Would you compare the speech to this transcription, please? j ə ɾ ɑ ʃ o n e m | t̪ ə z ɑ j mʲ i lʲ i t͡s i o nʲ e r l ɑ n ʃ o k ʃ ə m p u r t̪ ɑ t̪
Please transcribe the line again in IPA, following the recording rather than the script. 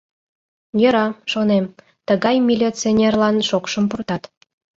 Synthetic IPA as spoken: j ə ɾ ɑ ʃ o n e m | t̪ ə ɣ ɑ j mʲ i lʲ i t͡s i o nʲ e r l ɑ n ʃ o k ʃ ə m p u r t̪ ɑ t̪

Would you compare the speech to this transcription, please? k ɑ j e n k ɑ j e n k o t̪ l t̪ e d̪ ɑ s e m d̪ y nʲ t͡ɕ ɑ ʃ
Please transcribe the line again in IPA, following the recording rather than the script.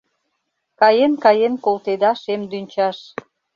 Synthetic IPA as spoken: k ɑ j e n k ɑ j e n k o l t̪ e d̪ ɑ ʃ e m d̪ y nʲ t͡ɕ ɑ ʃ

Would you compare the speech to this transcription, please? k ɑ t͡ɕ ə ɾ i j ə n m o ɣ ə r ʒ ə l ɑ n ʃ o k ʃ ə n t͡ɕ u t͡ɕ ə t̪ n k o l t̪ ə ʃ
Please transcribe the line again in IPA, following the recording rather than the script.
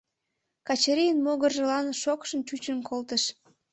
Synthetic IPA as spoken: k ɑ t͡ɕ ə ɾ i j ə n m o ɣ ə r ʒ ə l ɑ n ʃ o k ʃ ə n t͡ɕ u t͡ɕ ə n k o l t̪ ə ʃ

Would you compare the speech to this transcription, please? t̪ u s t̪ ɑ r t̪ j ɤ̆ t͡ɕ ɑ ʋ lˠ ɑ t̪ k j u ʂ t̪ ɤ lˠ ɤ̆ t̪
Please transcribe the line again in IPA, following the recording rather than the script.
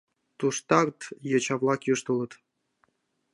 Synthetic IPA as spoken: t̪ u ʂ t̪ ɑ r t̪ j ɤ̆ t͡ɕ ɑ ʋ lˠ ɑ k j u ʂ t̪ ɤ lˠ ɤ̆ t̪

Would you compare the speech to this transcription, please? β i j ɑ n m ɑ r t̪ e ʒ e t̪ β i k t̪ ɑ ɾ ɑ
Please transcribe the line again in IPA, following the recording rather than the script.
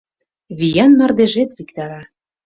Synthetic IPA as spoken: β i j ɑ n m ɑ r d̪ e ʒ e t̪ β i k t̪ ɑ ɾ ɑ

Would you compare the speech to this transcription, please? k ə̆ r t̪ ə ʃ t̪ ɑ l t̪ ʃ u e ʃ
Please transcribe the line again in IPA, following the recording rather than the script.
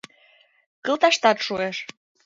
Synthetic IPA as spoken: k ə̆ l t̪ ɑ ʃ t̪ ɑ t̪ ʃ u e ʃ

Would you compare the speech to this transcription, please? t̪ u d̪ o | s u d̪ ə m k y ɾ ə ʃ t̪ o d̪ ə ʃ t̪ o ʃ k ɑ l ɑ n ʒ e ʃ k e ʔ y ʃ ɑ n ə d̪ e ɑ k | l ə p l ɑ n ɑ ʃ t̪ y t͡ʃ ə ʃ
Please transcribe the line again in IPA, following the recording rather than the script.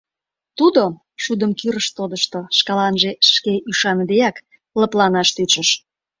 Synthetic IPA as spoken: t̪ u d̪ o | ʃ u d̪ ə m k y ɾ ə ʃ t̪ o d̪ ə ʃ t̪ o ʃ k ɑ l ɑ n ʒ e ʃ k e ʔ y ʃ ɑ n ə d̪ e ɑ k | l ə p l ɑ n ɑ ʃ t̪ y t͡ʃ ə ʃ

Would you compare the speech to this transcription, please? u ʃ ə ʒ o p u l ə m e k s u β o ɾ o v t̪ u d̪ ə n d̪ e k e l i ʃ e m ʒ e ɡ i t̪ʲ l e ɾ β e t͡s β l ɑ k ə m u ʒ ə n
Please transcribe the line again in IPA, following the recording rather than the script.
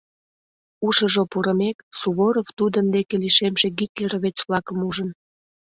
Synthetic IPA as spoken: u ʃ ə ʒ o p u ɾ ə m e k s u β o ɾ o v t̪ u d̪ ə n d̪ e k e l i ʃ e m ʒ e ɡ i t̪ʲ l e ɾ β e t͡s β l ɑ k ə m u ʒ ə n

